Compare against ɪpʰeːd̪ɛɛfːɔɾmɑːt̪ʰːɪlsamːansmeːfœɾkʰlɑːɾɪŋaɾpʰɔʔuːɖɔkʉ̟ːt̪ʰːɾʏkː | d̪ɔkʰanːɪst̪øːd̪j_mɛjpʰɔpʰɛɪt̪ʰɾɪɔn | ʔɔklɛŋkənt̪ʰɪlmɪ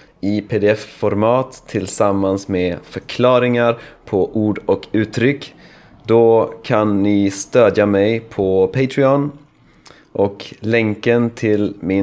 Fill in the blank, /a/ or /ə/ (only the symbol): a